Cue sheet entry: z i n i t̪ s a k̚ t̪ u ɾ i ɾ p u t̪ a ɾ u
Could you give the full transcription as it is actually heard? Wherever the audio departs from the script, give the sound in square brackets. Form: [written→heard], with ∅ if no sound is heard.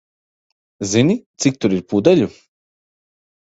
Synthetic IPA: z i n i t̪ s [a→i] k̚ t̪ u ɾ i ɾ p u [t̪→d̪] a [ɾ→ʎ] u